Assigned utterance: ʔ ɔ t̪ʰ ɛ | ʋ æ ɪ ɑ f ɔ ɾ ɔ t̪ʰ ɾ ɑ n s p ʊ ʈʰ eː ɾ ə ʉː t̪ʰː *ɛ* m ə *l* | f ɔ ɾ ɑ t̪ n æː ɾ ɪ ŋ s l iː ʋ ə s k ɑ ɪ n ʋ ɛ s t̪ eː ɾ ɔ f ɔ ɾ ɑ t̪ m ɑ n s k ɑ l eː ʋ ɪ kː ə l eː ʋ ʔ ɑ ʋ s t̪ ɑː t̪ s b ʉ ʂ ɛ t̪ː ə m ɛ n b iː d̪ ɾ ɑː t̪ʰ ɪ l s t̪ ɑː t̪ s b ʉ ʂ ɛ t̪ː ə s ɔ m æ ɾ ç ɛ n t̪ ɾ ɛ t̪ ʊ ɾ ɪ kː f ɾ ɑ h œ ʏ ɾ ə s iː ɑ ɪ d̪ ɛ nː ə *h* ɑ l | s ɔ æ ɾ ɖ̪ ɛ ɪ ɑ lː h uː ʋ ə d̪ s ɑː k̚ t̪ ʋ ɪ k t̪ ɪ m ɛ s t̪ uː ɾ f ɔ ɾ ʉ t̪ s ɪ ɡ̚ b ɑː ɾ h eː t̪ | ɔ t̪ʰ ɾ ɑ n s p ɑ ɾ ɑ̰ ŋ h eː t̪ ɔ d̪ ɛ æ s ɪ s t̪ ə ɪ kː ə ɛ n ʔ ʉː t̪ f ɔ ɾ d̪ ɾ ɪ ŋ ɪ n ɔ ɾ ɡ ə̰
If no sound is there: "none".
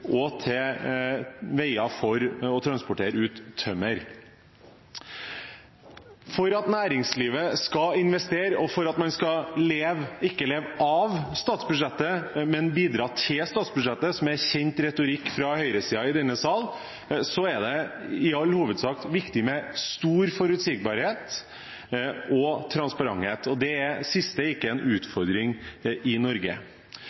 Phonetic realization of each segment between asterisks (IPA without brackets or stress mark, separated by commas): œ, ɾ, s